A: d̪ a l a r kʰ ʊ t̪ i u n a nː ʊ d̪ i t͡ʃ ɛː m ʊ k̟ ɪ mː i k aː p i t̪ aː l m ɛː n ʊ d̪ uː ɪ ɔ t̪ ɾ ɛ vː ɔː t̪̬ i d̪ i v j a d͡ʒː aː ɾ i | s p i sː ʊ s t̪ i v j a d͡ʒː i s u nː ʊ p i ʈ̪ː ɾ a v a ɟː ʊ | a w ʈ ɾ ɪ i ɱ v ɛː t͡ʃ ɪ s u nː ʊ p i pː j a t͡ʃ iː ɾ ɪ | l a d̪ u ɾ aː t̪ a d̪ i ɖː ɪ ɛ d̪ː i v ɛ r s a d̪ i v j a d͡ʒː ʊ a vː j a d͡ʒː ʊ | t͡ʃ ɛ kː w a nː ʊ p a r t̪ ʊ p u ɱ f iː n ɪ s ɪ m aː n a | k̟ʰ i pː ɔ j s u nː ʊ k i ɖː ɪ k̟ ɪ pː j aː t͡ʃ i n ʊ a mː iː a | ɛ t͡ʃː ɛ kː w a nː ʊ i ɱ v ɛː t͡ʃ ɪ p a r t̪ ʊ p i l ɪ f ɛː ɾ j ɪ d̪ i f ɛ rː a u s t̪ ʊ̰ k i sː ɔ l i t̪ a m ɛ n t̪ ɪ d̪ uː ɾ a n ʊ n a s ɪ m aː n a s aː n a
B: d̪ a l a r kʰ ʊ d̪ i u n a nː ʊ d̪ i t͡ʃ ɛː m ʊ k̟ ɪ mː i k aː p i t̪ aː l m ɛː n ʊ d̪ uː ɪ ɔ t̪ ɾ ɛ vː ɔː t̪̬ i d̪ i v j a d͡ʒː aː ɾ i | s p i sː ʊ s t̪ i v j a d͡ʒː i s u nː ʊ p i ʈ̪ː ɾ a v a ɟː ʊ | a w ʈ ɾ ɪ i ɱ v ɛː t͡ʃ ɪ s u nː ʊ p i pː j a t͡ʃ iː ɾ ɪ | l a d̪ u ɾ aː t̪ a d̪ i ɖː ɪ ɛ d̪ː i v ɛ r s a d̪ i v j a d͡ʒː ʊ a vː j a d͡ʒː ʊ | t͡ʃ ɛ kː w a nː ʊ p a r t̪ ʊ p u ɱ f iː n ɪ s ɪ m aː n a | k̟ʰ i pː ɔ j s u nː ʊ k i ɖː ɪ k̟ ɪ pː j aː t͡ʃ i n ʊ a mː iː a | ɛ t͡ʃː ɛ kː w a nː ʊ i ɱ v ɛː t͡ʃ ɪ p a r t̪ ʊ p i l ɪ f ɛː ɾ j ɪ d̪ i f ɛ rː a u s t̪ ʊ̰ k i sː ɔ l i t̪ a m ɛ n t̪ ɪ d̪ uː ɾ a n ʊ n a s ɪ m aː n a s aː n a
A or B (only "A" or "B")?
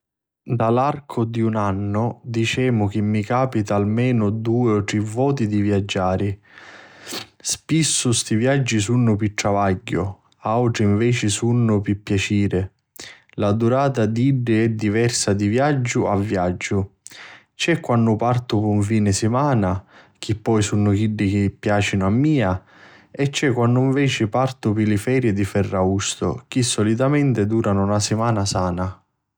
B